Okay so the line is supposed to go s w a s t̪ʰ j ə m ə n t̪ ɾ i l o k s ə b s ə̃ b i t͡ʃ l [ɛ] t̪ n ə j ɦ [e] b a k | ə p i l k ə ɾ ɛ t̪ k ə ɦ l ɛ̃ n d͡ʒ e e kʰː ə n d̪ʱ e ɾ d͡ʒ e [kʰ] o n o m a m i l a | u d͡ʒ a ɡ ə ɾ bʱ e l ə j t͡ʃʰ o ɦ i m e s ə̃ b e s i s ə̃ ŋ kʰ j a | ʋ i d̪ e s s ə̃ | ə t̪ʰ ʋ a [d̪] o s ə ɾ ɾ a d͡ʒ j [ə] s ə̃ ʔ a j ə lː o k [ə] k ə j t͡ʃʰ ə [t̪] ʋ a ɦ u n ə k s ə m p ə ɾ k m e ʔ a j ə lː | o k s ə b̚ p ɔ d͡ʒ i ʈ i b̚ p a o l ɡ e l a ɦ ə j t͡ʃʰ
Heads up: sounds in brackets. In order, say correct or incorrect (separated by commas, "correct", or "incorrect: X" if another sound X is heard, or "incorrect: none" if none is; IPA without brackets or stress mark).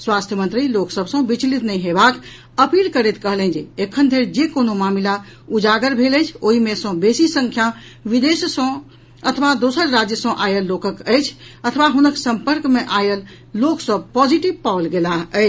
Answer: incorrect: i, correct, incorrect: k, correct, correct, correct, incorrect: t̪ʰ